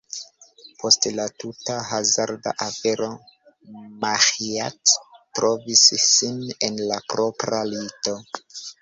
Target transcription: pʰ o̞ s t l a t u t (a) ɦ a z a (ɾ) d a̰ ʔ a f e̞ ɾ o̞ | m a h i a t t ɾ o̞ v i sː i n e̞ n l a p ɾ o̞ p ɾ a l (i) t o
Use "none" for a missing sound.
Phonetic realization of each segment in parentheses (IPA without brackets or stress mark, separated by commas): a, ɾ, i